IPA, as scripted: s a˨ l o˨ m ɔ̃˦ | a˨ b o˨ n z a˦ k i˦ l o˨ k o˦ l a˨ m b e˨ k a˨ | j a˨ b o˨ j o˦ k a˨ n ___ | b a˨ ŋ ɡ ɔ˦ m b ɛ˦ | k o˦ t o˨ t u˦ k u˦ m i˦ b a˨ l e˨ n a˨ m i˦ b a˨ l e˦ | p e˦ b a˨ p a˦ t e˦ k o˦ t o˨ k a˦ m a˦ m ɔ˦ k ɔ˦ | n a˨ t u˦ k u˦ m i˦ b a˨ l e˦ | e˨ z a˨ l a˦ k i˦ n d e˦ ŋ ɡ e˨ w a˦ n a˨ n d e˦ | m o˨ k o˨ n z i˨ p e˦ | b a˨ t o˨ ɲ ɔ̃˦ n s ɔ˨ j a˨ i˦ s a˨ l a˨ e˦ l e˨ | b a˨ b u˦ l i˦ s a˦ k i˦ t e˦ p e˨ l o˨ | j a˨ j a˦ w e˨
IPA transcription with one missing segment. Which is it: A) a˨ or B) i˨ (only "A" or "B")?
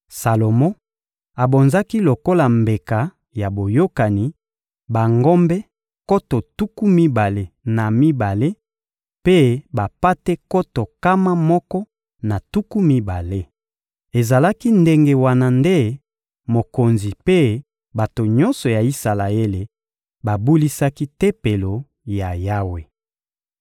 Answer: B